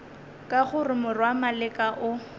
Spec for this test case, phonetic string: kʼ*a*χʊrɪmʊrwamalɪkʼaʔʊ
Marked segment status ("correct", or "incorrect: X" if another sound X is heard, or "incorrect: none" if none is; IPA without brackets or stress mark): correct